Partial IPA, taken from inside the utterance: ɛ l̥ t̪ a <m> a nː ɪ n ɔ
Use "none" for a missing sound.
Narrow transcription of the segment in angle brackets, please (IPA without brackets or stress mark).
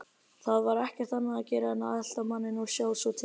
m